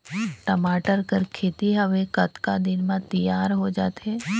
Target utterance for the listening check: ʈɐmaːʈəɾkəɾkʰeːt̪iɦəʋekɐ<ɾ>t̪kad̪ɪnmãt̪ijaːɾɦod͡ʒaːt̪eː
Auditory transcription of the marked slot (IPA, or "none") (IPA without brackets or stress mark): none